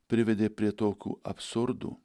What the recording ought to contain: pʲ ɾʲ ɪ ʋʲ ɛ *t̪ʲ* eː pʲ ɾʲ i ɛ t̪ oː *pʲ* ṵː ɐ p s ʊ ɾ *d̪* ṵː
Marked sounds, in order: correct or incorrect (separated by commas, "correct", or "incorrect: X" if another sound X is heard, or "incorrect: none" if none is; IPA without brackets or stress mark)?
incorrect: d̪ʲ, incorrect: kʲ, correct